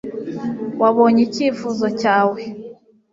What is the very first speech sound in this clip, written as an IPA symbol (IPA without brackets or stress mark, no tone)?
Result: w